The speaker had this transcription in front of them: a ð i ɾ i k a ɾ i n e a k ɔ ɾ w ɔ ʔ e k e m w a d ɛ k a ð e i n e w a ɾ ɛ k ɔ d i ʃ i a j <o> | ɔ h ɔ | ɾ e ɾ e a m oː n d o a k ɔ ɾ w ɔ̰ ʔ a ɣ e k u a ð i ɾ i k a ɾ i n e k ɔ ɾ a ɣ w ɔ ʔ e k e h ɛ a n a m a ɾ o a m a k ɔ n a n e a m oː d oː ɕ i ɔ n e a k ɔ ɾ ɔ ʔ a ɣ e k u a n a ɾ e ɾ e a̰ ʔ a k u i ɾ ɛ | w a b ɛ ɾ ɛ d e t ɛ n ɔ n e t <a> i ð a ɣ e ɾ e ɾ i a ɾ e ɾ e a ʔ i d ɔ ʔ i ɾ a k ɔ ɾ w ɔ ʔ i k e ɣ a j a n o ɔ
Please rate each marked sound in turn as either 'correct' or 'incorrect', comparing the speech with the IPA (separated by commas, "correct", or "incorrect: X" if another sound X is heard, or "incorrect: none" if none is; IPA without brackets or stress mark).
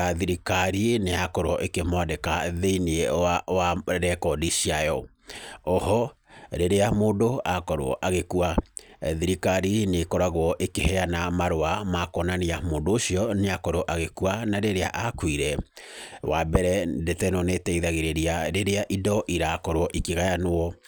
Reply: incorrect: ɔ, incorrect: ɛ